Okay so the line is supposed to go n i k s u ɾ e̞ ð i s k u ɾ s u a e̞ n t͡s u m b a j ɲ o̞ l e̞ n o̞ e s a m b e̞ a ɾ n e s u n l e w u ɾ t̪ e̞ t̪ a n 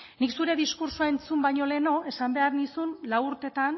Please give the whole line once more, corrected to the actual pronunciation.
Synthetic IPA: n i k s u ɾ e̞ ð i s k u ɾ s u a e̞ n t͡s u m b a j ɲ o̞ l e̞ n o̞ e s a m b e̞ a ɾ n i s u n l a w u ɾ t̪ e̞ t̪ a n